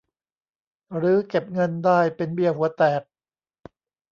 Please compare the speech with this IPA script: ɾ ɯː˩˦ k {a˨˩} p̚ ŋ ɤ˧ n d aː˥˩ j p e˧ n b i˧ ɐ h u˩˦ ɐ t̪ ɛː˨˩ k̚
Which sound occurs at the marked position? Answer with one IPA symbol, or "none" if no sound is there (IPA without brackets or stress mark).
e˨˩